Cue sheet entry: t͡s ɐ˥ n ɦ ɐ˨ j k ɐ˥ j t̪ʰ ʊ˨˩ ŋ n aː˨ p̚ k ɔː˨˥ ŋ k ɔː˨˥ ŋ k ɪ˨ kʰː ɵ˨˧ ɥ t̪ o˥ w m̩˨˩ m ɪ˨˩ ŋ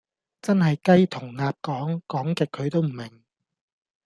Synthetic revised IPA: t͡s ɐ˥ n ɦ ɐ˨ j k ɐ˥ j t̪ʰ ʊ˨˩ ŋ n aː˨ p̚ k ɔː˨˥ ŋ k ɔː˨˥ ŋ k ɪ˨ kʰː ɵ˨˧ ɥ t̪ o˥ w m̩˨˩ m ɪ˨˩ ŋ